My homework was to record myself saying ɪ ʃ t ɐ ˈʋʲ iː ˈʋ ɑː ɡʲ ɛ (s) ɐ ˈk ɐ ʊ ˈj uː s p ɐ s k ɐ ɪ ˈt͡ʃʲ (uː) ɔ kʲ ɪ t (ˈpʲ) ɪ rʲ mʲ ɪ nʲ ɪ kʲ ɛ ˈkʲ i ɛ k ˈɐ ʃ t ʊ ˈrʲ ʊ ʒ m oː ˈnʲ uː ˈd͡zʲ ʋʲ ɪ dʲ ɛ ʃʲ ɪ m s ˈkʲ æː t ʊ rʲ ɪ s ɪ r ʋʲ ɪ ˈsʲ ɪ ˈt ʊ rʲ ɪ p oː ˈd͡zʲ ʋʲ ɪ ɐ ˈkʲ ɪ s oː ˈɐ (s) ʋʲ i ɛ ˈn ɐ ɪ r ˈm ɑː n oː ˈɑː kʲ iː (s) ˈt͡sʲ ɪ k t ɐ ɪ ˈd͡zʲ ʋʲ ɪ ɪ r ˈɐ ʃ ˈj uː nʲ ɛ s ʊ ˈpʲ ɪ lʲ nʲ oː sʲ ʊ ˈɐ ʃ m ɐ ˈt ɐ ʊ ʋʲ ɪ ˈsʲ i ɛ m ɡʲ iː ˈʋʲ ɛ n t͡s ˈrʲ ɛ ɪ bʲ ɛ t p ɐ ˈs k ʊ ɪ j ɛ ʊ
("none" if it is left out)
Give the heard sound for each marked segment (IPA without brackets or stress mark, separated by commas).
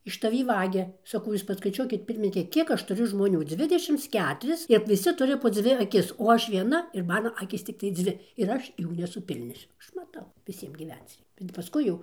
s, u, pʲ, ʃ, s